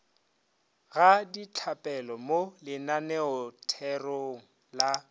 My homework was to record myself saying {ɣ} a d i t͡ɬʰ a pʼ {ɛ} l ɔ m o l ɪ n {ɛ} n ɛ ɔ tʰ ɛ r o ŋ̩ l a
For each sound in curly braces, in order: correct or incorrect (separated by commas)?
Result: correct, correct, incorrect